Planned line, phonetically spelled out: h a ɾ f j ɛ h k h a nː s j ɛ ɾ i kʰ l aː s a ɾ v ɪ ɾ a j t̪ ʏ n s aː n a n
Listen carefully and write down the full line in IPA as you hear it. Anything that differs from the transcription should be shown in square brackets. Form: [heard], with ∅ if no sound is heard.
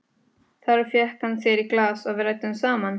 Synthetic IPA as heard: [θ] a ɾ f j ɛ h k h a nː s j ɛ ɾ i [k] l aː s a [∅] v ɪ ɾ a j t̪ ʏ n s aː [m] a n